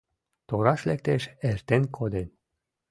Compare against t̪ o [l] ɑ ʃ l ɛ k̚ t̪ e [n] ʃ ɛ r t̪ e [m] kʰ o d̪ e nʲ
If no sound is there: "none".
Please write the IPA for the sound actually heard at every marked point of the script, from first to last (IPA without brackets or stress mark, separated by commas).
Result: ɾ, none, n